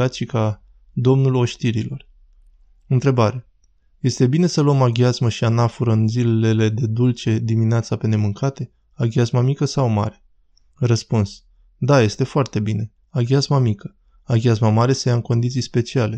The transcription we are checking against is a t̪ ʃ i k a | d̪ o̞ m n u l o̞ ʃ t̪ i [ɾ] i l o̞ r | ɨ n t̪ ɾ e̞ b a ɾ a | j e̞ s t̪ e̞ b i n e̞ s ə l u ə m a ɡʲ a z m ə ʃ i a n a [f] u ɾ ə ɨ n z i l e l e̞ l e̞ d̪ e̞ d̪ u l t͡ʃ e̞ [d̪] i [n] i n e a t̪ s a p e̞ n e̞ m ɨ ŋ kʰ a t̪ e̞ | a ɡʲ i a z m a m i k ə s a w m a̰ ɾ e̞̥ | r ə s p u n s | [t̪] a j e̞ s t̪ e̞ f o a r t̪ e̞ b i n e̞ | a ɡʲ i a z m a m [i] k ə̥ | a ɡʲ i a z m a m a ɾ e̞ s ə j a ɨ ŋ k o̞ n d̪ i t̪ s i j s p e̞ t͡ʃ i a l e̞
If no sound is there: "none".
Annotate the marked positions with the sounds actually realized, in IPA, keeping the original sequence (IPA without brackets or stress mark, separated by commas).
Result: ɾ, f, d̪, m, d̪, i